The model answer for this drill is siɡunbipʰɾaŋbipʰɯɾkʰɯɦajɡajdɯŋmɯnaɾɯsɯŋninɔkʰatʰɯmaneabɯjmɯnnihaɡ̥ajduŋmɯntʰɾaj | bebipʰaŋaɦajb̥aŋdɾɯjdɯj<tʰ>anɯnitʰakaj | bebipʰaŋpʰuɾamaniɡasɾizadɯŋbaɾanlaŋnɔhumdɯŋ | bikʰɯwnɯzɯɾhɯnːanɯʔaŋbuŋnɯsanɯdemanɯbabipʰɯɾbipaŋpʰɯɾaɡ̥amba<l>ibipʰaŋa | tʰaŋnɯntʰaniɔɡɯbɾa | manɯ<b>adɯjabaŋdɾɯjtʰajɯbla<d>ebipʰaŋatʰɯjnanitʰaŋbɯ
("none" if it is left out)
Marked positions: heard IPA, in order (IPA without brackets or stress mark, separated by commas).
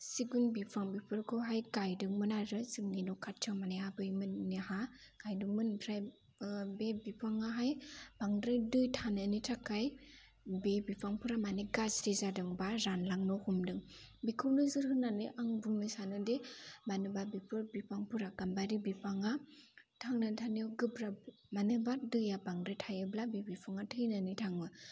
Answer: tʰ, ɾ, b, b